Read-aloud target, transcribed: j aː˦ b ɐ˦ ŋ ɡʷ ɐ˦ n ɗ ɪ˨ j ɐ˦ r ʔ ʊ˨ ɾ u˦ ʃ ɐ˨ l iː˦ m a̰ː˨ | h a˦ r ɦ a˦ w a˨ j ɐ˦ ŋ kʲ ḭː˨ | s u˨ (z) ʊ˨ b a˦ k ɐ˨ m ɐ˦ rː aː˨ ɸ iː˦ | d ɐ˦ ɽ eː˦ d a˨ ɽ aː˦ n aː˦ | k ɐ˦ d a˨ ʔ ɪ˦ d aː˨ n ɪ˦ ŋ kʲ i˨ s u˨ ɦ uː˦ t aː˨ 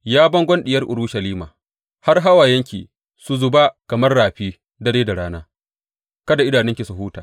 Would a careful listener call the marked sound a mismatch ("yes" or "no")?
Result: no